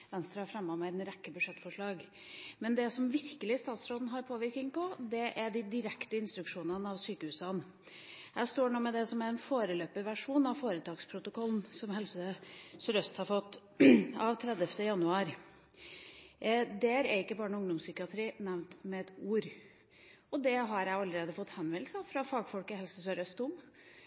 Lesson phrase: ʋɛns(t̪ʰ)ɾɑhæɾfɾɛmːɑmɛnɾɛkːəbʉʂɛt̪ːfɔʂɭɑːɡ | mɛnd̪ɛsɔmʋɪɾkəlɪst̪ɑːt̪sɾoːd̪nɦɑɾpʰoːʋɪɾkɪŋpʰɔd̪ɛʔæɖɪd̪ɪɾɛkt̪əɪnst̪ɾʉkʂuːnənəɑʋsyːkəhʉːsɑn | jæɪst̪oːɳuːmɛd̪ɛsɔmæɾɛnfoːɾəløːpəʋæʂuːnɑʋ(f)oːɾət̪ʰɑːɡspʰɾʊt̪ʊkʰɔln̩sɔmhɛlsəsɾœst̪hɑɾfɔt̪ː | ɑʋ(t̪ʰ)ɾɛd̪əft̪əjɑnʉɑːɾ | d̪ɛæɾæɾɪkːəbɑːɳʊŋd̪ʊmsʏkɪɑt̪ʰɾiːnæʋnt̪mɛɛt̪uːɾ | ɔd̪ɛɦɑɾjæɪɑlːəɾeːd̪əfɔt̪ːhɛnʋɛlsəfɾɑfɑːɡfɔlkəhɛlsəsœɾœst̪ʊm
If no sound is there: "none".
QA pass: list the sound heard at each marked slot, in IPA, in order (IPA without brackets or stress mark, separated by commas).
t̪, f, t̪ʰ